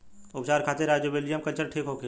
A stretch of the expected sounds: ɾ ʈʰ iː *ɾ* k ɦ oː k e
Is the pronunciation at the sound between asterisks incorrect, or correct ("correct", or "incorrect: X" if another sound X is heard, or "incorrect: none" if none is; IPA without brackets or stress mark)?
incorrect: none